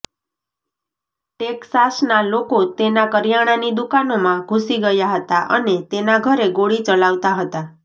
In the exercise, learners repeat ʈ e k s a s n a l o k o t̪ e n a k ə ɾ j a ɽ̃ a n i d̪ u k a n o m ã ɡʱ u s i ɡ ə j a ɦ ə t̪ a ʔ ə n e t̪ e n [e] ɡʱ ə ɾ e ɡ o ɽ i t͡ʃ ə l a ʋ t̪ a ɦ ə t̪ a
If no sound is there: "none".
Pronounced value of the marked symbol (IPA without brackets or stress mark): a